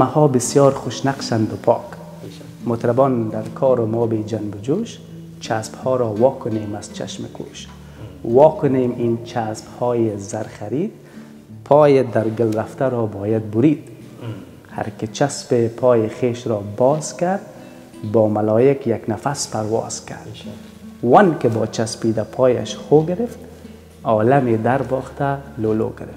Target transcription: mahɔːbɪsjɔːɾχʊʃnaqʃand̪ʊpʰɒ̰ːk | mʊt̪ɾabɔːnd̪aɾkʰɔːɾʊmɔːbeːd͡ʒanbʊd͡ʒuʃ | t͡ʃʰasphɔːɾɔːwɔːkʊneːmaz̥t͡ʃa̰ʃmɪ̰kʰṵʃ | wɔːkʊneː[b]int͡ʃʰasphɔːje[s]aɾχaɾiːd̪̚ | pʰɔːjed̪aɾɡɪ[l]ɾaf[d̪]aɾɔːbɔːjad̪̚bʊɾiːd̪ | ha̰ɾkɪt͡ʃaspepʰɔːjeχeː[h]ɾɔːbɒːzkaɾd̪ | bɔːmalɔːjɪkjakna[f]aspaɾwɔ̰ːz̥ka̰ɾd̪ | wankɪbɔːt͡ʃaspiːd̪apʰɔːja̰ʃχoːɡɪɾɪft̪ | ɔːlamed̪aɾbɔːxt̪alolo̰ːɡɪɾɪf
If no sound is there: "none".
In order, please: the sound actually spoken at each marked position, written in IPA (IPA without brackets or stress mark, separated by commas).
m, z, l, t̪, ʃ, f